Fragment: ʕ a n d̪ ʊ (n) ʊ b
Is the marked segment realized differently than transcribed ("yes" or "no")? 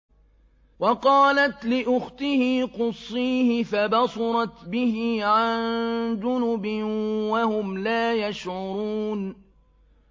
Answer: no